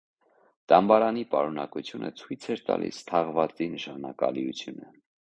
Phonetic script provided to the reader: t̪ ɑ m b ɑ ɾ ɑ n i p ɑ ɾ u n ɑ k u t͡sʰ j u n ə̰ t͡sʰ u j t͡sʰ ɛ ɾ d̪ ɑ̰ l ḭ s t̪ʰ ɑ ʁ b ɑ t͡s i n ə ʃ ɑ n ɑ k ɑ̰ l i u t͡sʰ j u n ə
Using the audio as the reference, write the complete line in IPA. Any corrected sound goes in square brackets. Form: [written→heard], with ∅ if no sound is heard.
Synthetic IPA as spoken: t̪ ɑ m b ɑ ɾ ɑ n i p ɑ ɾ u n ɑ k u t͡sʰ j u n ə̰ t͡sʰ u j t͡sʰ ɛ ɾ [d̪→t̪] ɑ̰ l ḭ s t̪ʰ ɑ ʁ [b→v] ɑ t͡s i n ə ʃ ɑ n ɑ k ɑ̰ l i u t͡sʰ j u n ə